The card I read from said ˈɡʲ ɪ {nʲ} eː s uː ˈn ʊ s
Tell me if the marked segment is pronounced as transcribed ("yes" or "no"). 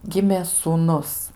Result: no